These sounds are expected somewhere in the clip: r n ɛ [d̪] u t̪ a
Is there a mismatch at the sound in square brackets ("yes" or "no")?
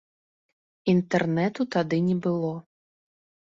yes